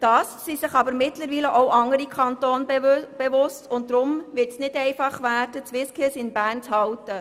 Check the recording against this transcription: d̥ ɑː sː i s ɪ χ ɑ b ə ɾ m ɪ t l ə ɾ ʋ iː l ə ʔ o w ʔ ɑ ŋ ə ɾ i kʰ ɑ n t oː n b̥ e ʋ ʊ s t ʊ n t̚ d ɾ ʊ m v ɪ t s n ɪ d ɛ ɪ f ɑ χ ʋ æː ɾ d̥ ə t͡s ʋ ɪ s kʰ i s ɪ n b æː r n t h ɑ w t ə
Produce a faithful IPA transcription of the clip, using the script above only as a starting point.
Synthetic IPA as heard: d̥ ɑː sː i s ɪ χ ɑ b ə ɾ m ɪ t l ə ɾ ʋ iː l ə ʔ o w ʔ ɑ ŋ ə ɾ i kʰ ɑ n t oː n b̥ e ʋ ʊ s t ʊ n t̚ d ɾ ʊ m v ɪ t s n ɪ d ɛ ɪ f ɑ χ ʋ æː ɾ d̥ ə t͡s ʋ ɪ s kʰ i s ɪ n b æː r n t͡s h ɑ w t ə